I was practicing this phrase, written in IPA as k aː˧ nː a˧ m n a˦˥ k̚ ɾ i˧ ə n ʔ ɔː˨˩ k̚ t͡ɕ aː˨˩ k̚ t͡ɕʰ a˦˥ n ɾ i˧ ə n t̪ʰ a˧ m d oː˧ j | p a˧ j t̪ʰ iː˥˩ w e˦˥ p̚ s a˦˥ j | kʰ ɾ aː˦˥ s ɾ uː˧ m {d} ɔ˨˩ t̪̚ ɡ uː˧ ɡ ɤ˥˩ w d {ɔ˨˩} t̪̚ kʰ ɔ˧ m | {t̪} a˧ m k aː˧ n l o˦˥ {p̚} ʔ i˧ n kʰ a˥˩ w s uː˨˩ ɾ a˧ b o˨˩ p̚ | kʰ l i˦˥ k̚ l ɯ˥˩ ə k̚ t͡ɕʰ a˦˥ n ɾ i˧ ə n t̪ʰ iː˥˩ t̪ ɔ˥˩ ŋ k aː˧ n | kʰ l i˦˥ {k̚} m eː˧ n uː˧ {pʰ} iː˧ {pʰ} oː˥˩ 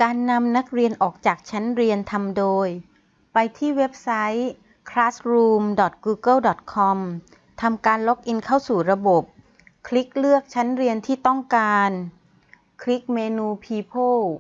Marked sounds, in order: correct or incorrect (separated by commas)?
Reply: correct, correct, incorrect, incorrect, correct, correct, correct